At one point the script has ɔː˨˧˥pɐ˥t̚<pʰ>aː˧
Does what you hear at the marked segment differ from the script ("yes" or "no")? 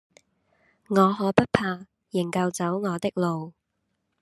no